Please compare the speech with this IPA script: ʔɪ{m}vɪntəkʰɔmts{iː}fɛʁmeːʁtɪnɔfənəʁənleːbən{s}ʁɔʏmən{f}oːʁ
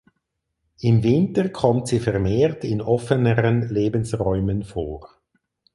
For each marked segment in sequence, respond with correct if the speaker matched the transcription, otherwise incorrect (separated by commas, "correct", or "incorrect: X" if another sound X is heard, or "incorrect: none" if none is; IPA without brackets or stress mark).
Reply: correct, correct, correct, correct